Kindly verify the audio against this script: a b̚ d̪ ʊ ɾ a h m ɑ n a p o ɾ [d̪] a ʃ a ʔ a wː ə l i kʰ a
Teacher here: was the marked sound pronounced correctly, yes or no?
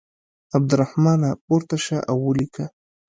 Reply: no